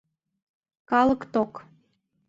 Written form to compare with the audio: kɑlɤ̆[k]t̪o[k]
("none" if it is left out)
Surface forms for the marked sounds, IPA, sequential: k, k

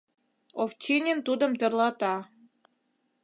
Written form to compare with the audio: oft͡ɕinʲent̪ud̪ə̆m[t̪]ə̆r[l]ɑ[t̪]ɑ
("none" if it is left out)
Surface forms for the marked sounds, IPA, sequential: t̪, l, t̪

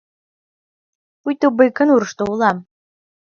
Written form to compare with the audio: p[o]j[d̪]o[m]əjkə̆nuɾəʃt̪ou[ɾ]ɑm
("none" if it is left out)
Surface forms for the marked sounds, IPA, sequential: u, t̪, b, l

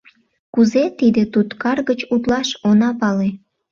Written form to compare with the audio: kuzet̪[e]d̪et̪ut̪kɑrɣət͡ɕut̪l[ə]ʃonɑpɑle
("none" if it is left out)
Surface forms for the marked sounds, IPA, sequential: i, ɑ

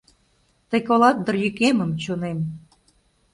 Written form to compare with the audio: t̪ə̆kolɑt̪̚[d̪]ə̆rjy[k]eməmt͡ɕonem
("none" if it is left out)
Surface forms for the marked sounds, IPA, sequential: d̪, k

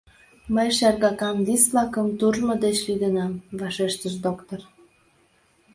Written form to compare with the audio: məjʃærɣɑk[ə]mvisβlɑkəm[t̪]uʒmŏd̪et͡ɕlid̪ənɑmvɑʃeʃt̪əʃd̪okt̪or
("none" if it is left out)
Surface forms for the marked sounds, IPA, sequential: ɑ, t̪

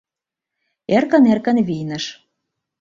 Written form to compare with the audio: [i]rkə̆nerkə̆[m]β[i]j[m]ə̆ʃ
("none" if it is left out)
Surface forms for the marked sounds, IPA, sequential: e, n, i, n

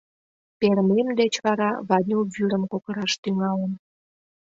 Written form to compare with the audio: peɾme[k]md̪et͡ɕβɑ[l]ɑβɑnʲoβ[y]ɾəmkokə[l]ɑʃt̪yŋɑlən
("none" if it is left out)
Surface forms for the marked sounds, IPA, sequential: none, ɾ, y, ɾ

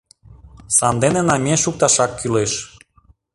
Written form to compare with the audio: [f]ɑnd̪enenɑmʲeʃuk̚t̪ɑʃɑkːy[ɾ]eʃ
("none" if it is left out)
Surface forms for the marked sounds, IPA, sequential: s, l

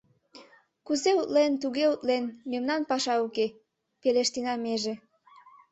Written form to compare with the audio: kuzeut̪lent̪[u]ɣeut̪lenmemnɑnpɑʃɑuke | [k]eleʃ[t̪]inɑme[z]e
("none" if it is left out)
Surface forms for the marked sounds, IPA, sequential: u, p, t̪, ʒ

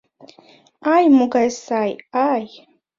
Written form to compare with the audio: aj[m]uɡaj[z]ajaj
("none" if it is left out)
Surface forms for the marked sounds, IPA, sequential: m, s

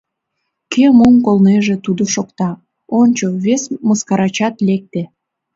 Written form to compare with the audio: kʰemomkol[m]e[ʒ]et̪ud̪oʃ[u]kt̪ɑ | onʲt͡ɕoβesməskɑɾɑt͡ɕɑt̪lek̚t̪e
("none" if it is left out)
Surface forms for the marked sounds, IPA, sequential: n, ʒ, o

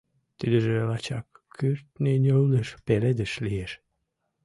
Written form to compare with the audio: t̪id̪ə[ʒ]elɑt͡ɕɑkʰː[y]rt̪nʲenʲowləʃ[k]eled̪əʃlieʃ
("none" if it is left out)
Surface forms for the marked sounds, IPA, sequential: ʒ, y, p

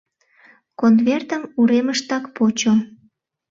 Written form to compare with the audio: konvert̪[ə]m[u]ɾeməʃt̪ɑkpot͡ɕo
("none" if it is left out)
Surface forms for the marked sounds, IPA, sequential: ə, u

